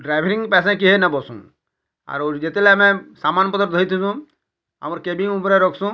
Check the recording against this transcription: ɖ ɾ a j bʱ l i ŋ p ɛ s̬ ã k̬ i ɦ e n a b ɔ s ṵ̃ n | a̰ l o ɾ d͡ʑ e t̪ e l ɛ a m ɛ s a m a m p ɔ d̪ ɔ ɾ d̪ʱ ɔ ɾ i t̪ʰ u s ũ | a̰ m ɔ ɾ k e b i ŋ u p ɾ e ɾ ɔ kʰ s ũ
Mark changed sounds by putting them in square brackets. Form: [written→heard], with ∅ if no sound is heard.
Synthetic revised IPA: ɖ ɾ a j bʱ [l→ɾ] i ŋ p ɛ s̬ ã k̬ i ɦ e n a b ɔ s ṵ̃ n | a̰ [l→ɾ] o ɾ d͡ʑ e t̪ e l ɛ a m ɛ s a m a [m→n] p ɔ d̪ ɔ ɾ d̪ʱ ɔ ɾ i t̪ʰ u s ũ | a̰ m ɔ ɾ k e b i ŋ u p ɾ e ɾ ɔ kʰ s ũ

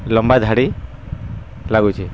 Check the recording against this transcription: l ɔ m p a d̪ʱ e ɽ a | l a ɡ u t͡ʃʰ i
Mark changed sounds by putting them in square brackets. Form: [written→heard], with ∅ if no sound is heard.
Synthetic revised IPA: l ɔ m [p→b] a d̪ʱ [e→a] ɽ [a→i] | l a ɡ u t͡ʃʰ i

